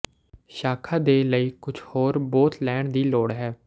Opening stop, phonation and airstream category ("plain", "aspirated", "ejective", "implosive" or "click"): aspirated